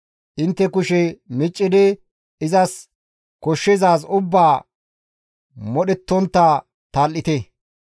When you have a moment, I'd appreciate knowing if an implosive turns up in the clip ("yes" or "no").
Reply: yes